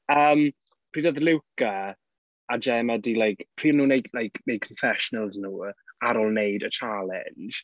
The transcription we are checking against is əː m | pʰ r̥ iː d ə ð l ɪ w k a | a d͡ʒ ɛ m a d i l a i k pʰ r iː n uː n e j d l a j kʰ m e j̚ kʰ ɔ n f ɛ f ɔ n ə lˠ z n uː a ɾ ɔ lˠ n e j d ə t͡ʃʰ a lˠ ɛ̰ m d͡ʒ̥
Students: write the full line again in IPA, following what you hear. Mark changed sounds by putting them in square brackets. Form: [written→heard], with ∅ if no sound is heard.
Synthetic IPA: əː m | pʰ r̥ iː d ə ð l ɪ w k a | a d͡ʒ ɛ m a d i l a [i→j] k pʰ r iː n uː n e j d l a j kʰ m e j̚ kʰ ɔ n f ɛ [f→ʃ] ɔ n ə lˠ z n uː a ɾ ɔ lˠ n e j d ə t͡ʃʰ a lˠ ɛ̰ [m→n] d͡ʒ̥